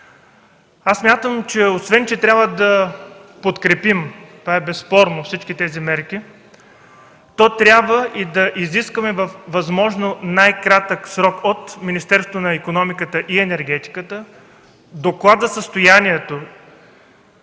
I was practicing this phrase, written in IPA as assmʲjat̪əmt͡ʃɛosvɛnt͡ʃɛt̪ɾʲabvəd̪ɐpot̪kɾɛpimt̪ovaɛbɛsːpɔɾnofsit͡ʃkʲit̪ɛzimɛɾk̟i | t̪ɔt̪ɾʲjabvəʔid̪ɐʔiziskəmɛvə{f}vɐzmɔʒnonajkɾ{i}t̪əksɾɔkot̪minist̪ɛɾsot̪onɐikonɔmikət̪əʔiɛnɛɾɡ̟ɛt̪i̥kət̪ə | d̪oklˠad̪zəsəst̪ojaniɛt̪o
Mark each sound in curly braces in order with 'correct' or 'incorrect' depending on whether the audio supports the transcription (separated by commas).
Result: correct, incorrect